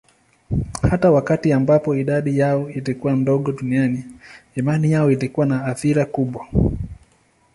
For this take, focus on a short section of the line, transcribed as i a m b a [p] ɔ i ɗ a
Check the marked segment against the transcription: correct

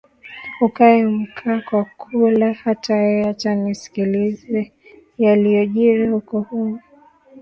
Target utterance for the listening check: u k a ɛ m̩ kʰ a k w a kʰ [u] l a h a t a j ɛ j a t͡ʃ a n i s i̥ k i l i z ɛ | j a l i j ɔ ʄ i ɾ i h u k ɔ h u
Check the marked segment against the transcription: correct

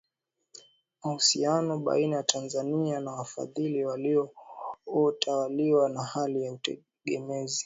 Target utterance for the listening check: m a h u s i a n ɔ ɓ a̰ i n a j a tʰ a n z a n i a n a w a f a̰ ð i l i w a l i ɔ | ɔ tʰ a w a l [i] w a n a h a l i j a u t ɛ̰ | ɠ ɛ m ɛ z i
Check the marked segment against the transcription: correct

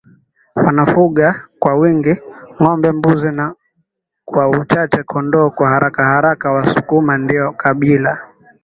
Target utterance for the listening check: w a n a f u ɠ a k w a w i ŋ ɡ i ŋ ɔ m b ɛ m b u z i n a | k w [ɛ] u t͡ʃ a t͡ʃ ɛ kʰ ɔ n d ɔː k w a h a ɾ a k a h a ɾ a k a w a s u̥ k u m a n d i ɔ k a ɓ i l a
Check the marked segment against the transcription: incorrect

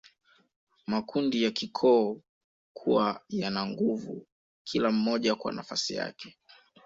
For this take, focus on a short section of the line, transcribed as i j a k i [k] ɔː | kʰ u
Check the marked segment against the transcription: incorrect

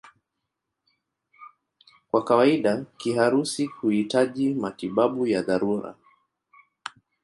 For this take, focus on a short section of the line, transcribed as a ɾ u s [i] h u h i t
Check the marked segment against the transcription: correct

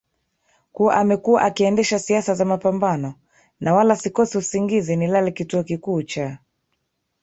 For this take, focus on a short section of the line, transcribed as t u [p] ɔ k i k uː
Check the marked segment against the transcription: incorrect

